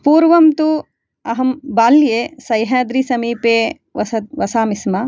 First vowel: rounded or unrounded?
rounded